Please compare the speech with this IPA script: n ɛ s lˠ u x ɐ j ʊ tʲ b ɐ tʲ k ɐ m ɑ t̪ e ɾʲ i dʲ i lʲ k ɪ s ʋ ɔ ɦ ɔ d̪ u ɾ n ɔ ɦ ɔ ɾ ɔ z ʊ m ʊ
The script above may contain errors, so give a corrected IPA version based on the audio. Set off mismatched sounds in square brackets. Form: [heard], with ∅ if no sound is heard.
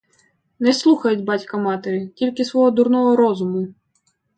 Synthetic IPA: n ɛ s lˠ u x ɐ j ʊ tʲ b [ɑ] tʲ k ɐ m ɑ t̪ e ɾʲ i [tʲ] i lʲ k ɪ s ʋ ɔ ɦ ɔ d̪ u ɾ n ɔ ɦ ɔ ɾ ɔ z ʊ m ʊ